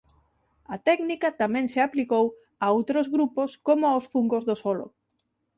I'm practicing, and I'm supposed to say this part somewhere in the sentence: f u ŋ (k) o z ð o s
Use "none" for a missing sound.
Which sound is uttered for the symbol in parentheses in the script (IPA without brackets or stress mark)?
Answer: ɡ